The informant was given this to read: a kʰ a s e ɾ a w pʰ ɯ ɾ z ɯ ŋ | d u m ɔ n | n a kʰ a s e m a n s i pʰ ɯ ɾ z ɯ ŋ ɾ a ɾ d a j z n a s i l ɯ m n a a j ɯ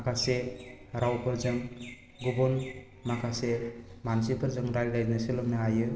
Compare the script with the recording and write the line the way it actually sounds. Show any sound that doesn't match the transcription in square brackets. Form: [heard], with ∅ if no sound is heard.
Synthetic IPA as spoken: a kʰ a s e ɾ a w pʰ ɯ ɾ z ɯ ŋ | [ɡ] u [b] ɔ n | [m] a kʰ a s e m a n s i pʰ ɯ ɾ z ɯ ŋ ɾ a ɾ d a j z n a s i l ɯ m n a a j ɯ